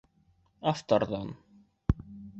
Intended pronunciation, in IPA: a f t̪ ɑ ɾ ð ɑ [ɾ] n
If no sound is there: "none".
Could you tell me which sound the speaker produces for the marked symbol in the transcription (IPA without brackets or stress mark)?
none